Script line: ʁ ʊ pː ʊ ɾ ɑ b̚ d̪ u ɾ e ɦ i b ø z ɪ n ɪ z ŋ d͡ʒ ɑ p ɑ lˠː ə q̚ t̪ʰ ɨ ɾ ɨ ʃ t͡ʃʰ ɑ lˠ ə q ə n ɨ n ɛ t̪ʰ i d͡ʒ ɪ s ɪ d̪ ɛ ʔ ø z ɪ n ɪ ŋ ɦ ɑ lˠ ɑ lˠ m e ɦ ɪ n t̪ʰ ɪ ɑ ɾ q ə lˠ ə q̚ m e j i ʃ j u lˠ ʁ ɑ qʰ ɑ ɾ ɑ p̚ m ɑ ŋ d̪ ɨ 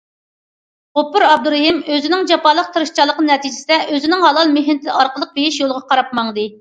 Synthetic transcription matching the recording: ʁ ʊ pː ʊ ɾ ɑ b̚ d̪ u ɾ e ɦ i m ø z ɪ n ɪ ŋ d͡ʒ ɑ p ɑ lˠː ə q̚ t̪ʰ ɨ ɾ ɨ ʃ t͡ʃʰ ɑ lˠ ə q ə n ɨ n ɛ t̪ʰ i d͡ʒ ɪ s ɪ d̪ ɛ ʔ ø z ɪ n ɪ ŋ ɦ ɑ lˠ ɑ lˠ m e ɦ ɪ n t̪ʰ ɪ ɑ ɾ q ə lˠ ə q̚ b e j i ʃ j o lˠ ʁ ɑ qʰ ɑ ɾ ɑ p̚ m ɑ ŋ d̪ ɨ

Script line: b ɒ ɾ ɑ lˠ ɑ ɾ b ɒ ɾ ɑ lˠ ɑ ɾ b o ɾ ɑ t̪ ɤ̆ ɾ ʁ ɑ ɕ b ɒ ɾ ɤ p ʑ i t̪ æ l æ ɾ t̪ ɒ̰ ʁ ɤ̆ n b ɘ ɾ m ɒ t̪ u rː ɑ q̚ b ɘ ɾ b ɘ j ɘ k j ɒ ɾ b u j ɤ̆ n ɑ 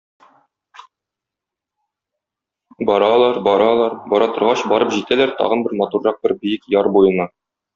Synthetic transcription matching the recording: b ɒ ɾ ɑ lˠ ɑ ɾ b ɒ ɾ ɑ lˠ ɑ ɾ b ɒ ɾ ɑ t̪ ɤ̆ ɾ ʁ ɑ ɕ b ɒ ɾ ɤ p ʑ i t̪ æ l æ ɾ t̪ ɒ̰ ʁ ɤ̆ n b ɘ ɾ m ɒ t̪ u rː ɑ q̚ b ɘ ɾ b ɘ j ɘ k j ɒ ɾ b u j ɤ̆ n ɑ

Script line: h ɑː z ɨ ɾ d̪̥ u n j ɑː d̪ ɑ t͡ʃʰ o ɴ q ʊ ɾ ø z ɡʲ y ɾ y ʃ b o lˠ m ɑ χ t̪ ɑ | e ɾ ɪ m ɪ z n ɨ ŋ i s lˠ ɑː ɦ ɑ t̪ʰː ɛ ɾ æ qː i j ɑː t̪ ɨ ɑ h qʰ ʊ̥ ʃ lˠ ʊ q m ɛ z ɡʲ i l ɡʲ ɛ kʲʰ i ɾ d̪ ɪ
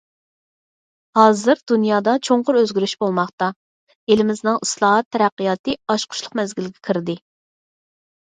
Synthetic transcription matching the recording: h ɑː z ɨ ɾ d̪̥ u n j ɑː d̪ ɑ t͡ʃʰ o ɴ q ʊ ɾ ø z ɡʲ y ɾ y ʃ b o lˠ m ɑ χ t̪ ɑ | e l ɪ m ɪ z n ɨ ŋ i s lˠ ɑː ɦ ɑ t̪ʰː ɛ ɾ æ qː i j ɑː t̪ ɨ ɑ ʃ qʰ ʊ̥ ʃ lˠ ʊ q m ɛ z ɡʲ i l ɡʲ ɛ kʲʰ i ɾ d̪ ɪ

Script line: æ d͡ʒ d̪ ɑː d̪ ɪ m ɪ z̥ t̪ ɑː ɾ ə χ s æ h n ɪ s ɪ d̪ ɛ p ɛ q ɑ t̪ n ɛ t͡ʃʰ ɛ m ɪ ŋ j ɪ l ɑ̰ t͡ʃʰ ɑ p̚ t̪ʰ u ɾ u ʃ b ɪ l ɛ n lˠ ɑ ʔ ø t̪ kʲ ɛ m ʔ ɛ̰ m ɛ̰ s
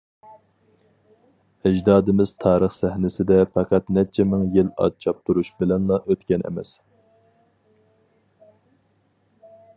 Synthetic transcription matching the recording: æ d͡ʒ d̪ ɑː d̪ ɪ m ɪ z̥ t̪ʰ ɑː ɾ ə χ s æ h n ɪ s ɪ d̪ ɛ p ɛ q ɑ t̪ n ɛ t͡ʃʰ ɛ m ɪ ŋ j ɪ l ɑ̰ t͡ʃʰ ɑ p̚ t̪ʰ u ɾ u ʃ b ɪ l ɛ n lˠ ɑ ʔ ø t̪ kʲ ɛ n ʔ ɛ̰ m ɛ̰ s

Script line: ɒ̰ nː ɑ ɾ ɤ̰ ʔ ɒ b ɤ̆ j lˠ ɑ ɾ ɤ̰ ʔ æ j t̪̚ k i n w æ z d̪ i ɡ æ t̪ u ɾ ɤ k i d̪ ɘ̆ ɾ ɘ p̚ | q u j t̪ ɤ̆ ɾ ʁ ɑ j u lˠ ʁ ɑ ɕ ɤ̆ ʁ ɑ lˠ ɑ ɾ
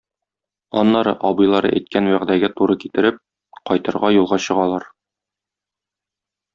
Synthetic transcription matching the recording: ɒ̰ nː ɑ ɾ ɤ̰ ʔ ɒ b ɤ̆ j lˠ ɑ ɾ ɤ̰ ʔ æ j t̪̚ k æ n w æ ʁ d̪ æ ɡ æ t̪ u ɾ ɤ k i t̪ ɘ̆ ɾ ɘ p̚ | q ɒ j t̪ ɤ̆ ɾ ʁ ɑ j u lˠ ʁ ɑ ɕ ɤ̆ ʁ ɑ lˠ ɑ ɾ

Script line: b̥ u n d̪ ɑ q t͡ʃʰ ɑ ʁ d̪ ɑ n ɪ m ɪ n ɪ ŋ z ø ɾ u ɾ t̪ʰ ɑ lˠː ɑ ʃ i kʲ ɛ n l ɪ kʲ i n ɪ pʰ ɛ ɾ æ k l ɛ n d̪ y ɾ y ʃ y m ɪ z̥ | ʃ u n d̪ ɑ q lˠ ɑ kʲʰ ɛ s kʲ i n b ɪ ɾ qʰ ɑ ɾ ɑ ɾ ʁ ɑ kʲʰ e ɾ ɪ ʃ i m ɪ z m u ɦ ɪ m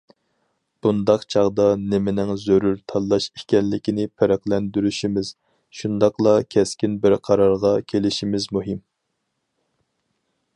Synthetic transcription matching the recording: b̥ u n d̪ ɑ q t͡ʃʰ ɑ ʁ d̪ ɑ n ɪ m ɪ n ɪ ŋ z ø ɾ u ɾ t̪ʰ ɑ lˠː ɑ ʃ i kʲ ɛ n l ɪ kʲ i n ɪ pʰ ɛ ɾ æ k l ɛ n d̪ y ɾ y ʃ i m ɪ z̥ | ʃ u n d̪ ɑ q lˠ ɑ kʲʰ ɛ s kʲ i n b ɪ ɾ qʰ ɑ ɾ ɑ ɾ ʁ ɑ kʲʰ e l ɪ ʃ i m ɪ z m u ɦ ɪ m

